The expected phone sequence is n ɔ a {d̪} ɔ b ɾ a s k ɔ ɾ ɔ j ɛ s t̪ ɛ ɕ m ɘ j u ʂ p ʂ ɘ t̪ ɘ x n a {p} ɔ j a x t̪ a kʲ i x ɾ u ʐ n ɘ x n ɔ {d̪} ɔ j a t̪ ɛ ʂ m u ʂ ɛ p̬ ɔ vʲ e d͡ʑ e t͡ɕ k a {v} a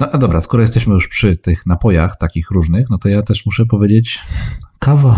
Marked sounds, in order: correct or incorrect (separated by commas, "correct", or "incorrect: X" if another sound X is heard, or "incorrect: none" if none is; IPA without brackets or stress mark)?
correct, correct, incorrect: t̪, correct